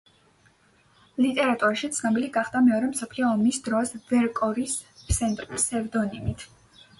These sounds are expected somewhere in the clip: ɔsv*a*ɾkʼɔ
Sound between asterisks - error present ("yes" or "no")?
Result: yes